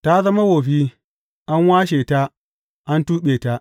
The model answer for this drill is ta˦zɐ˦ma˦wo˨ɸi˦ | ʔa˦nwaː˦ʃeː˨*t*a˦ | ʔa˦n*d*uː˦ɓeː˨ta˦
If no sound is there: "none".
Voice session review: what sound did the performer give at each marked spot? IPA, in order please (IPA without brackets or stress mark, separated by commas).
t, t